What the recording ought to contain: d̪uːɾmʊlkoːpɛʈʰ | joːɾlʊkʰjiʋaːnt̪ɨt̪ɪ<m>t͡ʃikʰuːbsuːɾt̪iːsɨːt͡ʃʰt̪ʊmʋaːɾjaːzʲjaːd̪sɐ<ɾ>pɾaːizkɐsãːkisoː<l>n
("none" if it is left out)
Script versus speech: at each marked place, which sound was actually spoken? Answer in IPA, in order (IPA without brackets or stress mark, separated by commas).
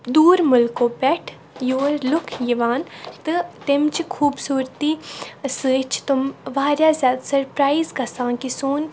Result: m, ɾ, none